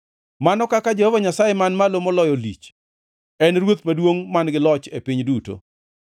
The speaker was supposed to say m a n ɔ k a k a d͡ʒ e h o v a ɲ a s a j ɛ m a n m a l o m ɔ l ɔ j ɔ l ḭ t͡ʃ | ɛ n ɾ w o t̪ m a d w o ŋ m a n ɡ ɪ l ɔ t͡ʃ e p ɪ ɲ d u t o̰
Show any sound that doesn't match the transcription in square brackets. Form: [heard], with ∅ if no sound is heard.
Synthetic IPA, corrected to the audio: m a n ɔ k a k a d͡ʒ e h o v a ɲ a s a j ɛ m a n m a l o m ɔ l ɔ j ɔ l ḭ t͡ʃ | ɛ n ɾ w o t̪ m a d w o ŋ m a n ɡ ɪ l ɔ t͡ʃ e p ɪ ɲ d u t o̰